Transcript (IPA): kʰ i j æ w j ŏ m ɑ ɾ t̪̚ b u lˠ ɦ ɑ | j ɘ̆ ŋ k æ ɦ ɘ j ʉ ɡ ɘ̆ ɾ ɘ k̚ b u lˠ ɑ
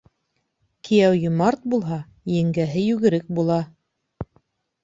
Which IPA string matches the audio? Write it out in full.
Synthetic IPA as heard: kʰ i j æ w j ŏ m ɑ ɾ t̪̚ b u lˠ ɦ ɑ | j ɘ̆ ŋ ɡ æ ɦ ɘ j ʉ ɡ ɘ̆ ɾ ɘ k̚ b u lˠ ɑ